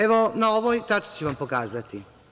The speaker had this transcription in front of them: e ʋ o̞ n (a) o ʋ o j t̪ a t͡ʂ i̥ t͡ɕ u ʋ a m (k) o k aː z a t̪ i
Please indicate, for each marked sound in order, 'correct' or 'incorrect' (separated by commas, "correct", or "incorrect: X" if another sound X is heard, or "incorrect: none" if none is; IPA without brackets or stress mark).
correct, incorrect: p